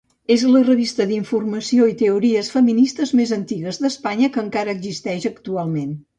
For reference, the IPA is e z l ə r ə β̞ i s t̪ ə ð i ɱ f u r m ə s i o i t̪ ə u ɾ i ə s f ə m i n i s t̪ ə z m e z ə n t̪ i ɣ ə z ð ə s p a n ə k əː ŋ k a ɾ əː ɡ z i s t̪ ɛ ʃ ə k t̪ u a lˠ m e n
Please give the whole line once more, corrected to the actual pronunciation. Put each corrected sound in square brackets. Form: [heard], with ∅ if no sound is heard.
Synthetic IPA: e z l ə r ə β̞ i s t̪ ə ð i ɱ f u r m ə s i o i t̪ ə u ɾ i ə s f ə m i n i s t̪ ə z m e z ə n t̪ i ɣ ə z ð ə s p a [ɲ] ə k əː ŋ k a ɾ əː ɡ z i s t̪ ɛ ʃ ə k t̪ u a lˠ m e n